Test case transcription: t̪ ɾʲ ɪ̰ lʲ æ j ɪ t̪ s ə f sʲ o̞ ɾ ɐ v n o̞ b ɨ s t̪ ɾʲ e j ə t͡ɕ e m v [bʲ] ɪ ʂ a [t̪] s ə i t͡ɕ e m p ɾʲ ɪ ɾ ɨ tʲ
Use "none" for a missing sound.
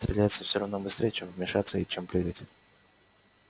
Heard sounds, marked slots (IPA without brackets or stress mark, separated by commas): mʲ, t̪